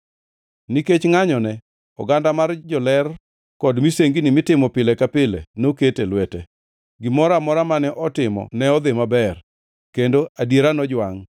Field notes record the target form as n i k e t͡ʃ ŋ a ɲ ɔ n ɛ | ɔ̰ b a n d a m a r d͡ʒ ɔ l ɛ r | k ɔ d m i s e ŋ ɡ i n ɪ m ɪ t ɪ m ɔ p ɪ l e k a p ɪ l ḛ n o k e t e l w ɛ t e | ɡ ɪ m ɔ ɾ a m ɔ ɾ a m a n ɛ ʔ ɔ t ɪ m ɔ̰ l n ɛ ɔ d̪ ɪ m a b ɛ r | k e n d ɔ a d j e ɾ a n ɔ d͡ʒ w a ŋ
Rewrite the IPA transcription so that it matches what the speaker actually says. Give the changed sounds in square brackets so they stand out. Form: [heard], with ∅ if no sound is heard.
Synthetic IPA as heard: n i k e t͡ʃ ŋ a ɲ ɔ n ɛ | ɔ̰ [ɡ] a n d a m a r d͡ʒ ɔ l ɛ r | k ɔ d m i s e ŋ ɡ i n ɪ m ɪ t ɪ m ɔ p ɪ l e k a p ɪ l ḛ n o k e t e l w ɛ t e | ɡ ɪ m ɔ ɾ a m ɔ ɾ a m a n ɛ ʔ ɔ t ɪ m ɔ̰ [∅] n ɛ ɔ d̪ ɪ m a b ɛ r | k e n d [o] a d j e ɾ a n ɔ d͡ʒ w a ŋ